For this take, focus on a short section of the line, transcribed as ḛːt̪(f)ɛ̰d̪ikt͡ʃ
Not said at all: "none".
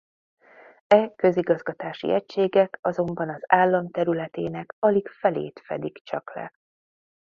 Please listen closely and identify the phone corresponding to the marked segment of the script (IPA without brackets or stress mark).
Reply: f